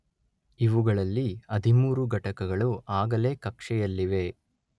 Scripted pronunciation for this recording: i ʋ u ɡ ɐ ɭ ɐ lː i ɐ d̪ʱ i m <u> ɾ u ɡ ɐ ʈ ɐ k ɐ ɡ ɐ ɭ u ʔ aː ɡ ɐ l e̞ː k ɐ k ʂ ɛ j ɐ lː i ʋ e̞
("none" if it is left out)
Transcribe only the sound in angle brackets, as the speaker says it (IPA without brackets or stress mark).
uː